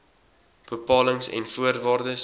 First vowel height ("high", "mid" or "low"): mid